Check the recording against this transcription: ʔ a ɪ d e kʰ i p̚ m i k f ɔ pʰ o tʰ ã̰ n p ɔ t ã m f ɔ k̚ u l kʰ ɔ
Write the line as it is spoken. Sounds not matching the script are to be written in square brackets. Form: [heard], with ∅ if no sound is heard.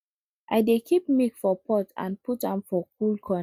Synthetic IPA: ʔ a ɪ d e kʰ i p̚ m i k f ɔ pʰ [ɔ] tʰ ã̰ n p [u] t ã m f ɔ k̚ u l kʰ ɔ